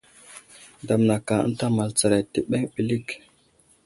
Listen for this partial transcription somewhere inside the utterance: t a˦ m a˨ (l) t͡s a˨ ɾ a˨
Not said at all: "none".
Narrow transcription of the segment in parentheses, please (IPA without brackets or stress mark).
l